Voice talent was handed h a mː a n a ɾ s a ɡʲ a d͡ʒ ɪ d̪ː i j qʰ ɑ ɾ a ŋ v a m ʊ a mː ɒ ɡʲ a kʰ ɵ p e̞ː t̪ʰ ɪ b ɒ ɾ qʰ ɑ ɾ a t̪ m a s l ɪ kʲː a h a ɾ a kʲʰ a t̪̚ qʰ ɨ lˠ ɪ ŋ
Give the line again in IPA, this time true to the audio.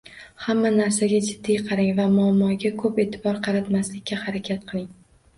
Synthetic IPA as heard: h a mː a n a ɾ s a ɡʲ a d͡ʒ ɪ d̪ː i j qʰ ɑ ɾ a ŋ v a m ʊ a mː ɒ ɡʲ a kʰ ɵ p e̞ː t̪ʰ ɪ b ɒ ɾ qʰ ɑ ɾ a t̪ m a s l ɪ kʲː a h a ɾ a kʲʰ a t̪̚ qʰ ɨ lˠ ɪ ŋ